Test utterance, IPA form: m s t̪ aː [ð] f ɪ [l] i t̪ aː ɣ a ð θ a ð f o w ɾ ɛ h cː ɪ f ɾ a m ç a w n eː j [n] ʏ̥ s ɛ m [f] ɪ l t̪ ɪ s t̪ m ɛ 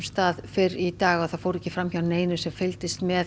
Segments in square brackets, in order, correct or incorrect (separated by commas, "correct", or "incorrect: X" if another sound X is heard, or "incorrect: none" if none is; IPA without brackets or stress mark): correct, incorrect: ɾ, correct, correct